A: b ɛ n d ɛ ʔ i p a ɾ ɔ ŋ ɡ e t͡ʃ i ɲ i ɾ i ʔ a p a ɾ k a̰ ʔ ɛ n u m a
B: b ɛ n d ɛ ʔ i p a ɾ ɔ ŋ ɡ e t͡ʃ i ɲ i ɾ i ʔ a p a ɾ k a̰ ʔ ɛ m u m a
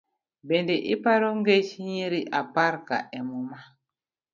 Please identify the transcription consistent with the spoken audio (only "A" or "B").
B